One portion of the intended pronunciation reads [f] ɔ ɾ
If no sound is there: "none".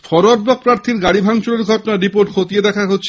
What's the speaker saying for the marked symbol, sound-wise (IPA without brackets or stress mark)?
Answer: f